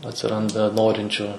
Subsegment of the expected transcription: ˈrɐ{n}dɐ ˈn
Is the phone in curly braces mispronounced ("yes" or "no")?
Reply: no